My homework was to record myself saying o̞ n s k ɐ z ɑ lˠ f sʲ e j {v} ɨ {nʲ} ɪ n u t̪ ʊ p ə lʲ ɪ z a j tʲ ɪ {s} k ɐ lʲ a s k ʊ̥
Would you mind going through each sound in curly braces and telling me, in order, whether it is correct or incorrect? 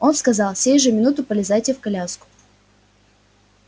incorrect: ʐ, incorrect: mʲ, incorrect: f

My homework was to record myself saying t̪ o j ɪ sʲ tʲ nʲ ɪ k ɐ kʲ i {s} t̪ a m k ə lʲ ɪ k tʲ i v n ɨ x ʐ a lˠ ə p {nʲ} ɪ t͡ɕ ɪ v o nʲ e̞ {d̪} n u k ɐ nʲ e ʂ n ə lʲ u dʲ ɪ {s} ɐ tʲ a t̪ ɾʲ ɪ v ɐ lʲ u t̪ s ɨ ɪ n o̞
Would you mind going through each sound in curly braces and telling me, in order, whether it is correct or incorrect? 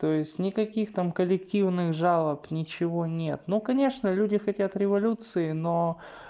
incorrect: x, correct, incorrect: t̪, incorrect: x

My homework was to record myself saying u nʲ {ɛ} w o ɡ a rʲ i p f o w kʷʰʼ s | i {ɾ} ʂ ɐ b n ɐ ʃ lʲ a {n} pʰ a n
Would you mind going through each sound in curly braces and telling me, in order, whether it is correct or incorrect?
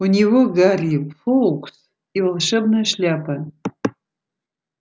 incorrect: i, incorrect: l, incorrect: none

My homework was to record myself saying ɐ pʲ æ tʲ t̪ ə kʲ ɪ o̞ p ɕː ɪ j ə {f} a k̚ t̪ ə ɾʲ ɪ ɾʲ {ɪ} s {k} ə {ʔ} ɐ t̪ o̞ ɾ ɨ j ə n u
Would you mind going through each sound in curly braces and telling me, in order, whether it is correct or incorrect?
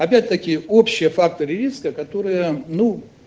correct, incorrect: i, correct, incorrect: k

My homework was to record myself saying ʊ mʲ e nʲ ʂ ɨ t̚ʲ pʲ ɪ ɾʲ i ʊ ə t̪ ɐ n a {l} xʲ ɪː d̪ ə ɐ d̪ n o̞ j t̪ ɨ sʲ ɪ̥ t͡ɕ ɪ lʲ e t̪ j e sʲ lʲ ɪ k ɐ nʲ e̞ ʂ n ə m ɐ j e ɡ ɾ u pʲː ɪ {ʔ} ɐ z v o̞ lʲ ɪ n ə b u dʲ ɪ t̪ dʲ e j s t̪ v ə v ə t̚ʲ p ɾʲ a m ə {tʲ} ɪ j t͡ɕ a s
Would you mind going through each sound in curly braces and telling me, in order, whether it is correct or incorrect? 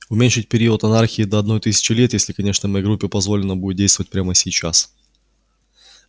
incorrect: r, incorrect: p, incorrect: sʲ

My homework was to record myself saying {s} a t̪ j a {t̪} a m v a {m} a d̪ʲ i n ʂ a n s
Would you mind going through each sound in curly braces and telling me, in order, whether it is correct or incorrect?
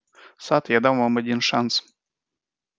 correct, incorrect: d̪, correct

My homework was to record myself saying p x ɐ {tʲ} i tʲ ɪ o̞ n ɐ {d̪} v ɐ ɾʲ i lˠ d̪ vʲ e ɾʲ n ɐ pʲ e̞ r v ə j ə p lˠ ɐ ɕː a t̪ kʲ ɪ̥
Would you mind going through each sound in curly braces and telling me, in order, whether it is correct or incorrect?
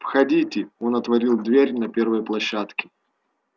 incorrect: dʲ, incorrect: t̪

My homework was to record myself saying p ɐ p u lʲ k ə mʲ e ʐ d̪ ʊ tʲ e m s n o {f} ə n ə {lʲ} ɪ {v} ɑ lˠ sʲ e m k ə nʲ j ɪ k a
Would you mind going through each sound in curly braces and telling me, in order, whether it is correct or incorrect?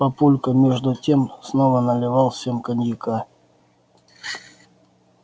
incorrect: v, correct, correct

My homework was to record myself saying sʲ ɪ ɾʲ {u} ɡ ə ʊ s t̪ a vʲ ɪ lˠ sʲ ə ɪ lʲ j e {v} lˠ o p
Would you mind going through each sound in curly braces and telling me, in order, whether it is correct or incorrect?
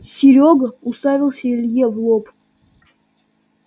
incorrect: o, correct

